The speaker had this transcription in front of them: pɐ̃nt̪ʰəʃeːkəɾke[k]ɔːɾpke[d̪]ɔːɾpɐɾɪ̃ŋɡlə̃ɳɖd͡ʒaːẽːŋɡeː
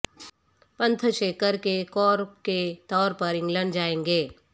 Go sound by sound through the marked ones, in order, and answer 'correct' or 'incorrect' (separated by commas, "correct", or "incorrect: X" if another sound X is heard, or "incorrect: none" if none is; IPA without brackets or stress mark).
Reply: correct, incorrect: t̪